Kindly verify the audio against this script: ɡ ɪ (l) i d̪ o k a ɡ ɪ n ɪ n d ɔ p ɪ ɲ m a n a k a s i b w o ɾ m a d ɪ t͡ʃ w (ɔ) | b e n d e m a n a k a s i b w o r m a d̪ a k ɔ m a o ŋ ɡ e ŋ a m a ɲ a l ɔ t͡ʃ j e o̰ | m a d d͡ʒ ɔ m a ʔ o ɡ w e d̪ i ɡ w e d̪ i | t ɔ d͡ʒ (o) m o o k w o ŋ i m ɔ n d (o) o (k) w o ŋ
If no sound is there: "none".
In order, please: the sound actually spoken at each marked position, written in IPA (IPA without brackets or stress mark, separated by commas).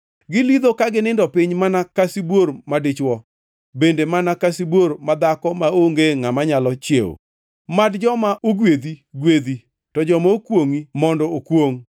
l, ɔ, ɔ, ɔ, k